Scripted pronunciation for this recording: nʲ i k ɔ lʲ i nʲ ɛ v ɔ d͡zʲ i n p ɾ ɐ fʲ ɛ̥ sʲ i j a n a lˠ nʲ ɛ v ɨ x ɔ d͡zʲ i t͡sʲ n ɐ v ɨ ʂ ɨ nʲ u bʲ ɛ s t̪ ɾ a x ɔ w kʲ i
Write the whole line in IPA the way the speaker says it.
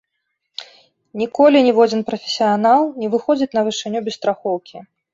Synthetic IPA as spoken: nʲ i k ɔ lʲ i nʲ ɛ v ɔ d͡zʲ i n p ɾ ɐ fʲ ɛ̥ sʲ i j a n a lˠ nʲ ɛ v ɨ x ɔ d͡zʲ i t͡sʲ n ɐ v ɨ ʂ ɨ nʲ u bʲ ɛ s t̪ ɾ a x ɔ w kʲ i